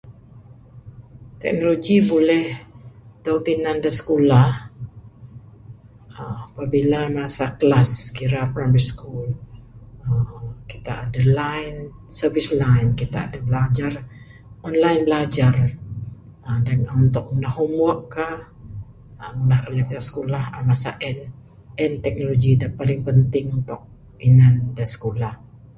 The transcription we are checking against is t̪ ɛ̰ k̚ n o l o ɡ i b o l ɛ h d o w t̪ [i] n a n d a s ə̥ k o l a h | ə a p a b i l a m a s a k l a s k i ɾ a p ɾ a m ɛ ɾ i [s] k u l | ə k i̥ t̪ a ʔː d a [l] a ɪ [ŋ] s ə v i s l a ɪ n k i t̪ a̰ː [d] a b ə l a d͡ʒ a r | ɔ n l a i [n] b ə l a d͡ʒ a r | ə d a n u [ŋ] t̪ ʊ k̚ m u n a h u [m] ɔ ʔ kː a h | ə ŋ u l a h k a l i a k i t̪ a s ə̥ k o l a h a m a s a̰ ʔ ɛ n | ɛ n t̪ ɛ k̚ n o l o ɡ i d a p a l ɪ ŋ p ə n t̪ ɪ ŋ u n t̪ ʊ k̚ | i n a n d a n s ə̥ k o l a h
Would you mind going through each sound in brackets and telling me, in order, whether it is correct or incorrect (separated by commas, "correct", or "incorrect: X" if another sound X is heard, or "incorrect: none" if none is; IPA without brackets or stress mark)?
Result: correct, correct, correct, incorrect: n, correct, correct, incorrect: n, correct